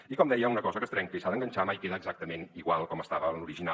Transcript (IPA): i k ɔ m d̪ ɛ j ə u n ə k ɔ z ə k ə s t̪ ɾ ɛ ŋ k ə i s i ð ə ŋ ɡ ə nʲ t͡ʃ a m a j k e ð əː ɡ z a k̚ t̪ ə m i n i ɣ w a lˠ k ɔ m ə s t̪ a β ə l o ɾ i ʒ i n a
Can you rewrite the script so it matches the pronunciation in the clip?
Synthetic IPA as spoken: i k ɔ m d̪ ɛ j ə u n ə k ɔ z ə k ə s t̪ ɾ ɛ ŋ k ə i s a ð ə ŋ ɡ ə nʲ t͡ʃ a m a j k e ð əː ɡ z a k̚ t̪ ə m e n i ɣ w a lˠ k ɔ m ə s t̪ a β ə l u ɾ i ʒ i n a